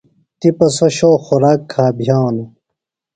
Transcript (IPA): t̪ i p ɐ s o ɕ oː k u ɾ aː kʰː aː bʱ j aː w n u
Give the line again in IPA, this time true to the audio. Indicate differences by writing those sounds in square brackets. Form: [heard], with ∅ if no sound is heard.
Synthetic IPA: t̪ i p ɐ s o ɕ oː [x] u ɾ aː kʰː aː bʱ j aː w n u